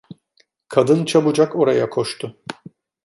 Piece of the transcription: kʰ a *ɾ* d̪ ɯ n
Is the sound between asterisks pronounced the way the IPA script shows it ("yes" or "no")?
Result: no